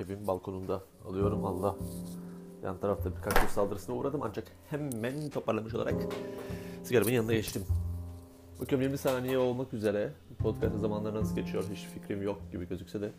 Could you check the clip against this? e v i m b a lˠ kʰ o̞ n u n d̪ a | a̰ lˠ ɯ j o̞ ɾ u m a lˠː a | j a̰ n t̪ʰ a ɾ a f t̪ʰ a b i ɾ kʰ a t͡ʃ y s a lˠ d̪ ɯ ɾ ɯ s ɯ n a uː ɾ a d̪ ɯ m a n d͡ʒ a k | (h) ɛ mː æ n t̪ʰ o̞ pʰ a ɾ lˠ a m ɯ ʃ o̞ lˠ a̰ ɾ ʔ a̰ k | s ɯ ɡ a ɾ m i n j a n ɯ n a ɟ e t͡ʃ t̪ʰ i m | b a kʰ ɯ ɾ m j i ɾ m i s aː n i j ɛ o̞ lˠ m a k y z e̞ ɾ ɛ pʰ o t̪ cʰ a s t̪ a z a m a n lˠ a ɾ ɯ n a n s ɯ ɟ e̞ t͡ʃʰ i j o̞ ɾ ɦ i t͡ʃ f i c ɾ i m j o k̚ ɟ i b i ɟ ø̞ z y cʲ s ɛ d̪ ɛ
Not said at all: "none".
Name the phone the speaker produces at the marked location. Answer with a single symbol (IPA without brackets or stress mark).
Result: h